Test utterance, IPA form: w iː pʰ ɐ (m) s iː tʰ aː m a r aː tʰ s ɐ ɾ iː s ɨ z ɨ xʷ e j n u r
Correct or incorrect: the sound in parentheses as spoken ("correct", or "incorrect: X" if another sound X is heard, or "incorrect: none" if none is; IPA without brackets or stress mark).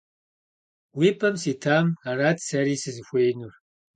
correct